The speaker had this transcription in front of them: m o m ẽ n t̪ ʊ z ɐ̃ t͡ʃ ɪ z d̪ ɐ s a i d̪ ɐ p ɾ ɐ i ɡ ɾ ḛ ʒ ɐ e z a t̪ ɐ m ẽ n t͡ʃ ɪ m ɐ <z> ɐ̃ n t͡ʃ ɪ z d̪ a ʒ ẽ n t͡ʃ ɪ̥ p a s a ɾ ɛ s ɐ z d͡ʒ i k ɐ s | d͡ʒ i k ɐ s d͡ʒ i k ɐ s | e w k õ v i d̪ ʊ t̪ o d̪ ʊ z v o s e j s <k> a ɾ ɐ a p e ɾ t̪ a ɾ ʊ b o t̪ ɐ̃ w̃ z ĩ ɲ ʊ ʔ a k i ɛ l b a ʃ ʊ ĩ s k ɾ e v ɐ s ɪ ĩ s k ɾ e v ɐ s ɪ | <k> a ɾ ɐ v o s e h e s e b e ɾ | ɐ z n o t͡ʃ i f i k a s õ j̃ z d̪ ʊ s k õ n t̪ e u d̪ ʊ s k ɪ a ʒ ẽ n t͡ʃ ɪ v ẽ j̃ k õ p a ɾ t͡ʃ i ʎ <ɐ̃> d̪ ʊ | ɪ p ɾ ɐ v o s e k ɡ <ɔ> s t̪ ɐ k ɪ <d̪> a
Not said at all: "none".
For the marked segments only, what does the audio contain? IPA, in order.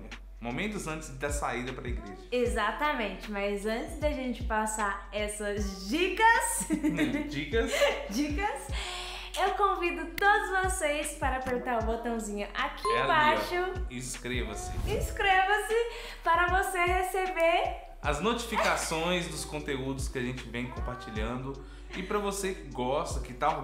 z, p, p, ɐ̃, ɔ, t̪

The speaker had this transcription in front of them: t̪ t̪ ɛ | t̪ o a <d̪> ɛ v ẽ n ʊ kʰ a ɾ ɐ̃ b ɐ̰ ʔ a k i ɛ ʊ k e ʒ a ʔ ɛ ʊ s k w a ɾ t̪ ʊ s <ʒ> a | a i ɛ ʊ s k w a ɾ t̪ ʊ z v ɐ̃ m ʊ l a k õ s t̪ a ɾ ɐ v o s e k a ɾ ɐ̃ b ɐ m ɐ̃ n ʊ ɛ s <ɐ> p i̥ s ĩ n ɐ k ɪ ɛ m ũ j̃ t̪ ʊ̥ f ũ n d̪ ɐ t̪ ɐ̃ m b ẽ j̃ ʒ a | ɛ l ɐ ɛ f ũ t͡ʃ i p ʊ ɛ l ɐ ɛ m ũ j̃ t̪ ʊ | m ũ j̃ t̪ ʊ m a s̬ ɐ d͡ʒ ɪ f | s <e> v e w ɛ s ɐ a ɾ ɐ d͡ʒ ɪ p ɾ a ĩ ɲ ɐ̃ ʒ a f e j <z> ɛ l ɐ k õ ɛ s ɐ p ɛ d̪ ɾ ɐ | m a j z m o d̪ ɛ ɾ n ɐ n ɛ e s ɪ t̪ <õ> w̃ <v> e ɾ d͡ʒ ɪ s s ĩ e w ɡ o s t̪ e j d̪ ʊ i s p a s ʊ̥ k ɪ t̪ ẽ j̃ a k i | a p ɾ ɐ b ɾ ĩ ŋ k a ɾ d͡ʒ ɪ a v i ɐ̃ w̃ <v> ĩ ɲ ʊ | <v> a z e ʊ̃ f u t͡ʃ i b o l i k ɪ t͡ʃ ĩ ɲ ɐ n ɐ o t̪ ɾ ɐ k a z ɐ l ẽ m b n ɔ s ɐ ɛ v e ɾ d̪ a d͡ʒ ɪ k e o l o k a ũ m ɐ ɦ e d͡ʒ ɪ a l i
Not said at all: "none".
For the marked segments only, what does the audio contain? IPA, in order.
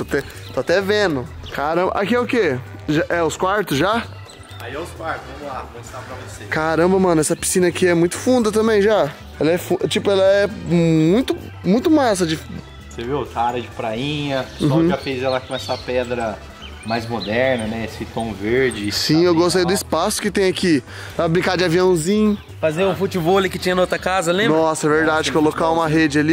t̪, ʒ, ɐ, e, z, õ, v, z, f

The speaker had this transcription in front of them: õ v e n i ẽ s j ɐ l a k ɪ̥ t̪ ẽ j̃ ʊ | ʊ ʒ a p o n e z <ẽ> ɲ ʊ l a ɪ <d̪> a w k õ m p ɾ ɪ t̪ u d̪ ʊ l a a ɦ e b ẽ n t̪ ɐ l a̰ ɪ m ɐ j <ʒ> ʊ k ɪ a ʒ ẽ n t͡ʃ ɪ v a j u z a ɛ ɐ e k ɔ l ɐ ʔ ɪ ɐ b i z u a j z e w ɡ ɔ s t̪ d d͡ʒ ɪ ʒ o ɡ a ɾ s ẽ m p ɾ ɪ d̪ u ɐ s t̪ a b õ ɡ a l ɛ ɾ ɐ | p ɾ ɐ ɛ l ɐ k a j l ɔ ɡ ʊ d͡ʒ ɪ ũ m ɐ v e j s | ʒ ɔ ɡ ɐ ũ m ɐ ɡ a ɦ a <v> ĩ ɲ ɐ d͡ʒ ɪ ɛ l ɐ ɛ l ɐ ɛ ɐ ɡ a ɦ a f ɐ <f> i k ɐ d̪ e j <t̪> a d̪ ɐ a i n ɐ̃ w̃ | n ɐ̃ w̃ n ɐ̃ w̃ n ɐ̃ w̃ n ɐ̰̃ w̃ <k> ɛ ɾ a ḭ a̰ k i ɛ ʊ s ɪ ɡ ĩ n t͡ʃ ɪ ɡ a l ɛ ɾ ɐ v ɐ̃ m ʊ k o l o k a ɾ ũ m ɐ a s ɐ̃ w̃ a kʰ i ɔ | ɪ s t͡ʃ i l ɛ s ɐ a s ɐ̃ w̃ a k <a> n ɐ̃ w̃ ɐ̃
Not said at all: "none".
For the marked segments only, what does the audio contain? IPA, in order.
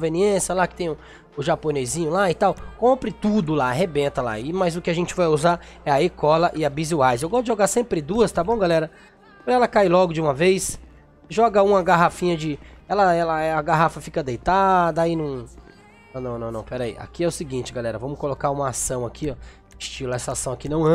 ĩ, t̪, z, f, f, t̪, p, i

